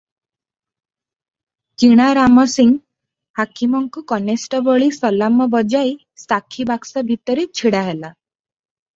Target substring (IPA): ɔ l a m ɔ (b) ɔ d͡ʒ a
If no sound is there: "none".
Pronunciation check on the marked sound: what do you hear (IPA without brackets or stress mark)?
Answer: b